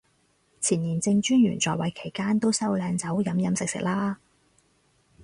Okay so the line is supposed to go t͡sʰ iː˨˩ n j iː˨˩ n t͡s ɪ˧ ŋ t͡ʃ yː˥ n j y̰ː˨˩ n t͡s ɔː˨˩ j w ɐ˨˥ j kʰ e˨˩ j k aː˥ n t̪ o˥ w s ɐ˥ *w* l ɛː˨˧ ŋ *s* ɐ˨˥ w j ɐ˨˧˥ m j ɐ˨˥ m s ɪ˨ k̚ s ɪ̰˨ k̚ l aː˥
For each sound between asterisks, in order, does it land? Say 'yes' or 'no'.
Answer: yes, no

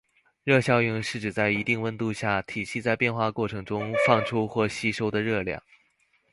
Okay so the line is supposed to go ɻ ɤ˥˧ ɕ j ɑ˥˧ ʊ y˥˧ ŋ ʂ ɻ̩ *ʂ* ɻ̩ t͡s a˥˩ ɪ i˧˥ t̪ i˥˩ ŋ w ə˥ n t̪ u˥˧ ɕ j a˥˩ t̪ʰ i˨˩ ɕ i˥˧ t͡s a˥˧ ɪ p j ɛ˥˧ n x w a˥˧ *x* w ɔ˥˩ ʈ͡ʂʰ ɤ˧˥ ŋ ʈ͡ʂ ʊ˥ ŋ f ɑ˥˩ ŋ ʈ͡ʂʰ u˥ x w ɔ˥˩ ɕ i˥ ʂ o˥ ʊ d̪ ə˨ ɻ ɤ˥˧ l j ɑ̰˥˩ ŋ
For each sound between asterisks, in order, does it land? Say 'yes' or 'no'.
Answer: no, no

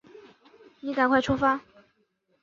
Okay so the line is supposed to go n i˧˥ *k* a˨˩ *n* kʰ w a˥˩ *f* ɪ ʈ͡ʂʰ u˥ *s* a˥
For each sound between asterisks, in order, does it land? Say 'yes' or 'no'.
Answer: yes, yes, no, no

